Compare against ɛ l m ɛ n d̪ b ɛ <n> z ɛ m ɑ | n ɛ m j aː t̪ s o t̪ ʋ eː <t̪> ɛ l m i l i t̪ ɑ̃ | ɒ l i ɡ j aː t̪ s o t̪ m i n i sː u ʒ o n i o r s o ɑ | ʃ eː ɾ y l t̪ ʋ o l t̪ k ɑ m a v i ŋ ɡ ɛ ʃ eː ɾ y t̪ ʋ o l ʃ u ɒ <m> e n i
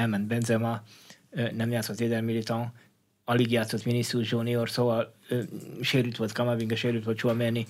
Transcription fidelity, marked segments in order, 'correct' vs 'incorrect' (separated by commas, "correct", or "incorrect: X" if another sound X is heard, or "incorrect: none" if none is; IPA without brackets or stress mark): correct, incorrect: d̪, correct